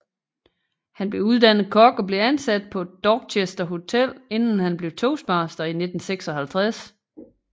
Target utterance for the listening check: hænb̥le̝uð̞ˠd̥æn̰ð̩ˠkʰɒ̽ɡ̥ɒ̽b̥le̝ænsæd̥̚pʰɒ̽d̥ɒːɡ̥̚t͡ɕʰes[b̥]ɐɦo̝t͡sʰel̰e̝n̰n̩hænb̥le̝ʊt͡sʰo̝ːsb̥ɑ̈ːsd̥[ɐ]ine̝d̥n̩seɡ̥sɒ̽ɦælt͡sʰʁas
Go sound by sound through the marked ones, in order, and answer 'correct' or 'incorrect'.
incorrect: d̥, correct

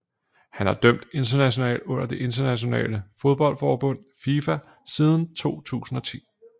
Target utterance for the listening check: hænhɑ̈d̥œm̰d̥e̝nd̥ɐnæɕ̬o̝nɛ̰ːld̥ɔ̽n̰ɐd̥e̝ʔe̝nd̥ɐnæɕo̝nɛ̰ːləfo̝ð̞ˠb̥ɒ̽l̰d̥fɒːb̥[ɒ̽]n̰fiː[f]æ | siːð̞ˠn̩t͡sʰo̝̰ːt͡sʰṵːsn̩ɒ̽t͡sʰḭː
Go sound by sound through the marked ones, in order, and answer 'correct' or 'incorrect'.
incorrect: ɔ̽, correct

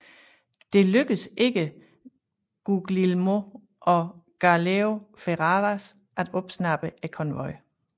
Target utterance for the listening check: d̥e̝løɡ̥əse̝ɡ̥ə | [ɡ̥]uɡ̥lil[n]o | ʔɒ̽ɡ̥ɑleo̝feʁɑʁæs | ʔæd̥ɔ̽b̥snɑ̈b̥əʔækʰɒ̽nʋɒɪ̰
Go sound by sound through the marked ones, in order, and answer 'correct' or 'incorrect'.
correct, incorrect: m

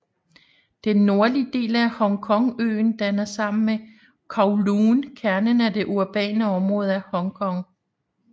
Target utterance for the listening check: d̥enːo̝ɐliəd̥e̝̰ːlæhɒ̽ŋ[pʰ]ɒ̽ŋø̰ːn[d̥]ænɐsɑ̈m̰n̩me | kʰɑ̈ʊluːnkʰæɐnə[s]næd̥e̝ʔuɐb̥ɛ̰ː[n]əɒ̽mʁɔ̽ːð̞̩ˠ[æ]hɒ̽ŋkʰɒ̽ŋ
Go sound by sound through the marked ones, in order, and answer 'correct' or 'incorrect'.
incorrect: kʰ, correct, incorrect: none, correct, correct

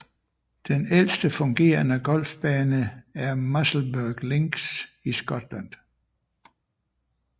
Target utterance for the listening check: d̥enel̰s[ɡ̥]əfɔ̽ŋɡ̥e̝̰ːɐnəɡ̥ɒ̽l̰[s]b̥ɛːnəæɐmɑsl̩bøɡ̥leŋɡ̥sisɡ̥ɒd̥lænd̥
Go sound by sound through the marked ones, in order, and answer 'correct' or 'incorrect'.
incorrect: d̥, incorrect: f

